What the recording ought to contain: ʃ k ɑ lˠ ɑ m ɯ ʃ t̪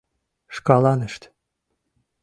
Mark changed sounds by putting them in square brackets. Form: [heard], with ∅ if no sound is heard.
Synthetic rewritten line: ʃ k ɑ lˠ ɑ [n] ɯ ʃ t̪